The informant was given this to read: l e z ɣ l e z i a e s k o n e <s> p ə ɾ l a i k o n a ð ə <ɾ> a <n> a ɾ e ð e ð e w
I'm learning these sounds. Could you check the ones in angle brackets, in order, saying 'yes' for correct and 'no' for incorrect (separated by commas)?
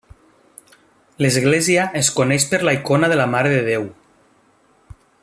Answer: no, no, no